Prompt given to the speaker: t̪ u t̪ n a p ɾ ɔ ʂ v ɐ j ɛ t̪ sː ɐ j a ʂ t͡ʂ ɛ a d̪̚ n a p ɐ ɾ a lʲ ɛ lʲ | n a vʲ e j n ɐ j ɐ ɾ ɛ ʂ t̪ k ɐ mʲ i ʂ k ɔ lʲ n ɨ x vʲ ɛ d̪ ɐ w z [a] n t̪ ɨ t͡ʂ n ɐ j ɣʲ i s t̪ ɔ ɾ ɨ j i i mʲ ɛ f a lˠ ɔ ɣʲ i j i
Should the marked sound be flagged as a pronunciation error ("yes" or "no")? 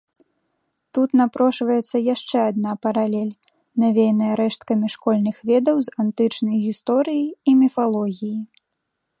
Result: no